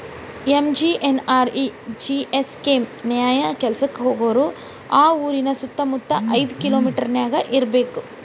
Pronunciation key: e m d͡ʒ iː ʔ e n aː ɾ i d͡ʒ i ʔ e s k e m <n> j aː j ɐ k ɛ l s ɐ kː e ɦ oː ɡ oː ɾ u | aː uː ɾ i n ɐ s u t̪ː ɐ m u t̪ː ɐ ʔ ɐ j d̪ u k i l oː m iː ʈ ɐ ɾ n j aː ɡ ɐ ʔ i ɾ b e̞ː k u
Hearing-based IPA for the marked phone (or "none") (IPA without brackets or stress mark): n